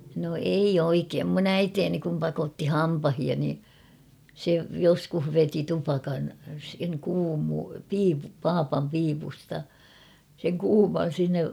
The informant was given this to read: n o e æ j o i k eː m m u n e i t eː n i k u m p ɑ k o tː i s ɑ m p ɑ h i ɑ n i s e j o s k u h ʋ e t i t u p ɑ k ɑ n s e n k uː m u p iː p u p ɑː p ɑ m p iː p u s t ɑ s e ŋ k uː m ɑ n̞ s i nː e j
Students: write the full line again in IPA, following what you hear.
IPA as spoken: n o e i j o i k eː m m u n æ i t eː n i k u m p ɑ k o tː i h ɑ m p ɑ h i ɑ n i s e j o s k u h ʋ e t i t u p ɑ k ɑ n s e ŋ k uː m u p iː p u p ɑː p ɑ m p iː p u s t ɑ s e ŋ k uː m ɑ n̞ s i nː e j